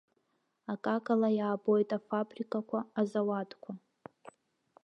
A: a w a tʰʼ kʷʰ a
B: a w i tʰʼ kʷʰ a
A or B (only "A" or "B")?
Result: A